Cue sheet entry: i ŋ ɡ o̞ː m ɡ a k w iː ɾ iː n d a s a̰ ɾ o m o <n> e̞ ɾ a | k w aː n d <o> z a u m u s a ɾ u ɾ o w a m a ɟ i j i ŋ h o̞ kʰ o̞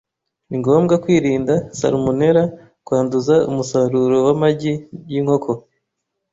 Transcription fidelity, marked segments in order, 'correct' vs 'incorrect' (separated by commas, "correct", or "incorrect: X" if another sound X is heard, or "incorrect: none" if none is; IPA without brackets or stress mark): correct, incorrect: u